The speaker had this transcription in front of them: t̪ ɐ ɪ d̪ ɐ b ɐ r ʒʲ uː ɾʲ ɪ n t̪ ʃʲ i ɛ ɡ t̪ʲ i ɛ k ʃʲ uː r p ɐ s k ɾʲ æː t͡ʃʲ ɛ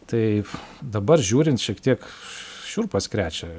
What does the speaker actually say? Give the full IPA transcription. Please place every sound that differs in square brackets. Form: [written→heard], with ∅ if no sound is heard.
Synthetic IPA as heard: t̪ ɐ ɪ d̪ ɐ b ɐ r ʒʲ uː ɾʲ ɪ n t̪ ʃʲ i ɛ [ɡ→k] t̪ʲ i ɛ k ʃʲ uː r p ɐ s k ɾʲ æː t͡ʃʲ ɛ